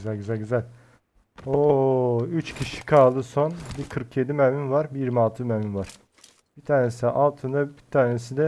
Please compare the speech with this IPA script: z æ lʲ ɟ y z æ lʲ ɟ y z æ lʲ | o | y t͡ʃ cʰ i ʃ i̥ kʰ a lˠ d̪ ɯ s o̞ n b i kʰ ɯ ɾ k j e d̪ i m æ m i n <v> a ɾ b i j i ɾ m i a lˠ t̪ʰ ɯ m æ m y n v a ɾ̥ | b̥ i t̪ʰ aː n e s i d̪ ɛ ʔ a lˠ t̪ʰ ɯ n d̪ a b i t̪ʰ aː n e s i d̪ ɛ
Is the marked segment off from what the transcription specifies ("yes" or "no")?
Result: no